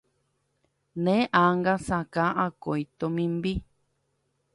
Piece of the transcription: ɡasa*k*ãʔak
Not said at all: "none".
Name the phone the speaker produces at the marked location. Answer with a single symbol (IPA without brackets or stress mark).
k